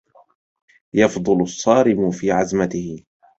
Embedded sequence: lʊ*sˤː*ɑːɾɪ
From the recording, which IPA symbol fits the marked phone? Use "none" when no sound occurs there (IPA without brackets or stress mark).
sˤː